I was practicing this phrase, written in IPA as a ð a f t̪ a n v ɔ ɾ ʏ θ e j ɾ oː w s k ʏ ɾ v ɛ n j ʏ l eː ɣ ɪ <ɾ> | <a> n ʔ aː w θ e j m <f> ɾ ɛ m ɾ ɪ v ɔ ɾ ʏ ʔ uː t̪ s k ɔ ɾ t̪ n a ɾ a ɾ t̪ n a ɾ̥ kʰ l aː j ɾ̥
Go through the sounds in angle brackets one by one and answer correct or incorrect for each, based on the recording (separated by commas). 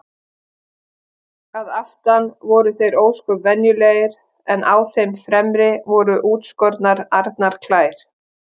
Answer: correct, incorrect, correct